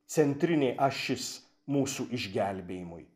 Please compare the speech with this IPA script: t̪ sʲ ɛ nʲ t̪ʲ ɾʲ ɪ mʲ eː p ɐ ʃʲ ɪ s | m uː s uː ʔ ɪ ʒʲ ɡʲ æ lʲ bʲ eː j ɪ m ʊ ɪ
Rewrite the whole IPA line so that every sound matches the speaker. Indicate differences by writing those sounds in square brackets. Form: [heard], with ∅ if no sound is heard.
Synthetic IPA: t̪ sʲ ɛ nʲ t̪ʲ ɾʲ ɪ [nʲ] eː [ʔ] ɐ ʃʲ ɪ s | m uː s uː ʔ ɪ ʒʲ ɡʲ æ lʲ bʲ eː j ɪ m ʊ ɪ